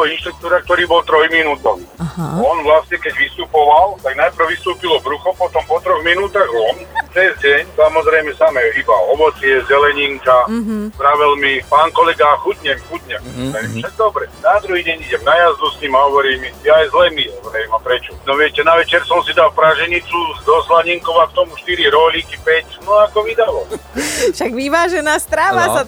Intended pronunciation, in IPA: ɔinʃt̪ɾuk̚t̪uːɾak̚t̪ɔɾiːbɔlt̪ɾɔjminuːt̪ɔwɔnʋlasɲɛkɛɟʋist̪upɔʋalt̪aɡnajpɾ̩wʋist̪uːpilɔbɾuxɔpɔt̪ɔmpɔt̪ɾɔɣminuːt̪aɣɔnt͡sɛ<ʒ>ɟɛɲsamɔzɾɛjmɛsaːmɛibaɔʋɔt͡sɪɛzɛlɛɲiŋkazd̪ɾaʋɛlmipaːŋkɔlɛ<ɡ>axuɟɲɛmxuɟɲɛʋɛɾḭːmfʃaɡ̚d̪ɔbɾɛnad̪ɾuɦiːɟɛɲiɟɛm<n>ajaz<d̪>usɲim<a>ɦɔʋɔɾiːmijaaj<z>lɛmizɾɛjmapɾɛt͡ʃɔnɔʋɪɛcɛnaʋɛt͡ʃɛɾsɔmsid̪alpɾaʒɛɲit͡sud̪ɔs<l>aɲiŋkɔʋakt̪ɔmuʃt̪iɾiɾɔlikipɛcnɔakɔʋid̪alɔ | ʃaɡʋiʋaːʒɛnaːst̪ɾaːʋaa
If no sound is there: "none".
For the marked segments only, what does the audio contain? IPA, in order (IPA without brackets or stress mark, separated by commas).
z, ɡ, n, d̪, a, z, l